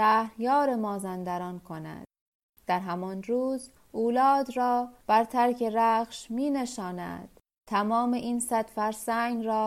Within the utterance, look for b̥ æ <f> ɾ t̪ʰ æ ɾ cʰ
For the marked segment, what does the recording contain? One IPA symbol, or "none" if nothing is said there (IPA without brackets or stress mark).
none